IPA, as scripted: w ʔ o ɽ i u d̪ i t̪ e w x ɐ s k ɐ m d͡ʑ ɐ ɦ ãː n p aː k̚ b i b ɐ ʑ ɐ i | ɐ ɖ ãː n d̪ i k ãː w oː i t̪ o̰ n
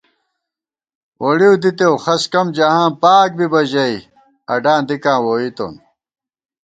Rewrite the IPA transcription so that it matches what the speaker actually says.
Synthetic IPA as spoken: w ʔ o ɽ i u d̪ i t̪ e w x ɐ s k ɐ m d͡ʑ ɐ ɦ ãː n p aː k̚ b i b ɐ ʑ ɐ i | ɐ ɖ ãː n d̪ i k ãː w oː i t̪ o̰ n